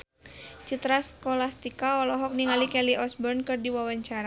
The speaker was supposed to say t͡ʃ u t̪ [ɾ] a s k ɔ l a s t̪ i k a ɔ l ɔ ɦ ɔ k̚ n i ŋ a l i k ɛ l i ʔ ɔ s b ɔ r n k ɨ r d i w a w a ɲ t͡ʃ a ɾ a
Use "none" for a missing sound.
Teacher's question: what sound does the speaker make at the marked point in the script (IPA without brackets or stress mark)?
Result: ɾ